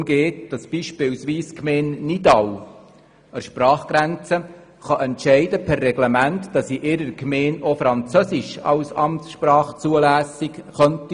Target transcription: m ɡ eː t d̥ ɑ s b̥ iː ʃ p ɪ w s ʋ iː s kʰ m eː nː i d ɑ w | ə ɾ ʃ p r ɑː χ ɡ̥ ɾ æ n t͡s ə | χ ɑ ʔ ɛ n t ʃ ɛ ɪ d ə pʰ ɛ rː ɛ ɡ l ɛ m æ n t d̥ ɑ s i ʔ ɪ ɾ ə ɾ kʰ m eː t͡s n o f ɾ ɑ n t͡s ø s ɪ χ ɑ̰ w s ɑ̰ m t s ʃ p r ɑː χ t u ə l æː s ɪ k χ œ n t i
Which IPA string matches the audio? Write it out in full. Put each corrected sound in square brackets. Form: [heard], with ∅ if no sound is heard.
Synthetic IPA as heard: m ɡ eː t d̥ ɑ s b̥ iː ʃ p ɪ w s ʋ iː s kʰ m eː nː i d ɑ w | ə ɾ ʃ p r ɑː χ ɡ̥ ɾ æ n t͡s ə | χ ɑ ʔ ɛ n t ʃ ɛ ɪ d ə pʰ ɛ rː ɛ ɡ l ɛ m æ n t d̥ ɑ s i ʔ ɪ ɾ ə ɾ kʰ m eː [∅] n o f ɾ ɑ n t͡s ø s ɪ [ʃ] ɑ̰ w s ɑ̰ m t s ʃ p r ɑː χ [t͡s] u ə l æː s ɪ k χ œ n t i